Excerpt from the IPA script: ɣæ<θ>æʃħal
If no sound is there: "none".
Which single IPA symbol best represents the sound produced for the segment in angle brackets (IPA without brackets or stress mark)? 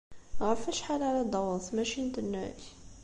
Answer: f